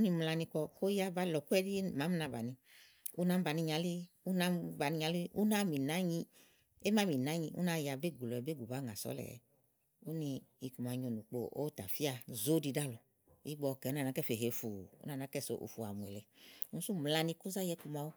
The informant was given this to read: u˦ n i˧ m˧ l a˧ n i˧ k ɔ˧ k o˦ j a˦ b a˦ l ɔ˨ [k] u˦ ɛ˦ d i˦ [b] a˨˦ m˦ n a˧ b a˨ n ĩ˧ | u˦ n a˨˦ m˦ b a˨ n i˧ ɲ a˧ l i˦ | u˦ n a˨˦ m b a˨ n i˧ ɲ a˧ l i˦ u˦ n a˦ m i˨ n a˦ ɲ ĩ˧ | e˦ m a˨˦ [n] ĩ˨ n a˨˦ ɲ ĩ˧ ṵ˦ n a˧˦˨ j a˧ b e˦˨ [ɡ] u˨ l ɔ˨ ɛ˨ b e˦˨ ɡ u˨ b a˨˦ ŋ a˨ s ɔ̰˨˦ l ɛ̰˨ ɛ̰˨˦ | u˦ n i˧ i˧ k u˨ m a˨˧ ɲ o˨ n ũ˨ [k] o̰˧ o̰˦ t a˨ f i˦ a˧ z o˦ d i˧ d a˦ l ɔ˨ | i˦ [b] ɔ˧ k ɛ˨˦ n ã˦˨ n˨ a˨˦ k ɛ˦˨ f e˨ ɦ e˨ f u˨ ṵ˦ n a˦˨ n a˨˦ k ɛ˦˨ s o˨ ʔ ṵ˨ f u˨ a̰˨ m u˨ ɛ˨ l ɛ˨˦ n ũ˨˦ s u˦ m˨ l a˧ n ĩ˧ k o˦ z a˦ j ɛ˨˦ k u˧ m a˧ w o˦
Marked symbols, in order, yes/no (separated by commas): yes, no, no, yes, no, no